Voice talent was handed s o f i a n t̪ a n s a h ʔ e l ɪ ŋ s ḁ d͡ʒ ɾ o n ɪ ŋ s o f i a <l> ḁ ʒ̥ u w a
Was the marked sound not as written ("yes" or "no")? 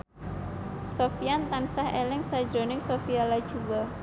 no